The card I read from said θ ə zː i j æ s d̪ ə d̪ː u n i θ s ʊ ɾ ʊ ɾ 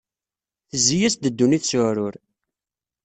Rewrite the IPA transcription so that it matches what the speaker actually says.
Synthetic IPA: θ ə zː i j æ s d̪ ə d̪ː u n i θ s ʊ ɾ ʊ ɾ